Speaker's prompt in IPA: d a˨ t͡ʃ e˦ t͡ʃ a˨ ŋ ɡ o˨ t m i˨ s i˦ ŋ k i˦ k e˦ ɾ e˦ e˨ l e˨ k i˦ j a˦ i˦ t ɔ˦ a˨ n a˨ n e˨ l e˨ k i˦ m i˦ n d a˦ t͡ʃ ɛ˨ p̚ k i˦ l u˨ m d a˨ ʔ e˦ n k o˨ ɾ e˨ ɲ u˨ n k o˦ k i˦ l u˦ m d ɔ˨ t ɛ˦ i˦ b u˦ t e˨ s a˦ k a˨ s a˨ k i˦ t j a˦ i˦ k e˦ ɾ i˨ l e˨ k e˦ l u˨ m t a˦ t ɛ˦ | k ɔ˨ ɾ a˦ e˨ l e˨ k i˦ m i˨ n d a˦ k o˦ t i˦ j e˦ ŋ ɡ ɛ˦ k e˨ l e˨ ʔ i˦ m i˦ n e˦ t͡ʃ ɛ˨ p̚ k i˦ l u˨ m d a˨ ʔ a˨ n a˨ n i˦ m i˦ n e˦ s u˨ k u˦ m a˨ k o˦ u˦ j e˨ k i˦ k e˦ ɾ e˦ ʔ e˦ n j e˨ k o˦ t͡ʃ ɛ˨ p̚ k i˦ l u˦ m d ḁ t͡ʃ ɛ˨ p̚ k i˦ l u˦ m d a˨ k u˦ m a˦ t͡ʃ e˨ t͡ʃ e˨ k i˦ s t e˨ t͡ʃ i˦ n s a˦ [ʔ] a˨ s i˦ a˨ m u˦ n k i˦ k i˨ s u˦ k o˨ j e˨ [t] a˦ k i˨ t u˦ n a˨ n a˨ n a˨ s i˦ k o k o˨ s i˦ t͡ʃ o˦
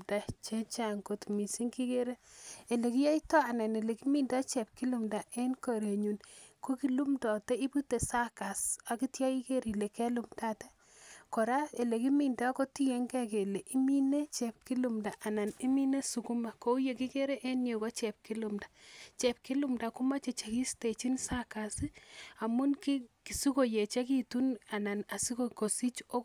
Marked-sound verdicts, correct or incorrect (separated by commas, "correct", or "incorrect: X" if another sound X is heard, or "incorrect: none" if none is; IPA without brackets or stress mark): incorrect: k, incorrect: t͡ʃ